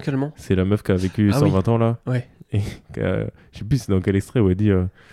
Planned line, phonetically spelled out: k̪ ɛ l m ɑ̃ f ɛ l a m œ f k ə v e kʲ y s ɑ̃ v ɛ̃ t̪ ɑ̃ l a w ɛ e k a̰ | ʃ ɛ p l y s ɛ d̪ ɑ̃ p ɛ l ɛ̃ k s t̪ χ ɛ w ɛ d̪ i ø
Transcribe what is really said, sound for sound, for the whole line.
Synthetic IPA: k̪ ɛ l m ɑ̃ s ɛ l a m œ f k a v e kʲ y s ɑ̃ v ɛ̃ t̪ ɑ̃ l a w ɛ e k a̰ | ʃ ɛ p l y s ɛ d̪ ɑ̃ k ɛ l ɛ k s t̪ χ ɛ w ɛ d̪ i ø